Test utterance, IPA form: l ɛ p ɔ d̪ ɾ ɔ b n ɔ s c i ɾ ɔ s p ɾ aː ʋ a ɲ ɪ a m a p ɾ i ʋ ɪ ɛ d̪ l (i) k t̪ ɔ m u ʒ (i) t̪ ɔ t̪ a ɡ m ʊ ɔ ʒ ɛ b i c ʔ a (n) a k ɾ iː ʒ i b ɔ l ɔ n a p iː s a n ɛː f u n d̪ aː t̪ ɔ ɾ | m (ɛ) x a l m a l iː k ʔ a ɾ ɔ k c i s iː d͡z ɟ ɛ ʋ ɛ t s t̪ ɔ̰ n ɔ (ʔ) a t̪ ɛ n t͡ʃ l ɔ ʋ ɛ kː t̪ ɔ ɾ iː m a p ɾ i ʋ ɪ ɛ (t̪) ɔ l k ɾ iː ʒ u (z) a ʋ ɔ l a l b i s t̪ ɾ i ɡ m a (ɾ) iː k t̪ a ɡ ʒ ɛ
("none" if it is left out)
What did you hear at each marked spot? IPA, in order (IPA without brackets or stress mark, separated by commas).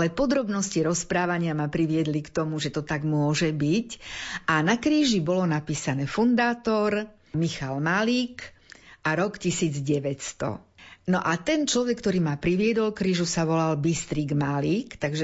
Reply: i, ɛ, n, i, ʔ, d̪, s, l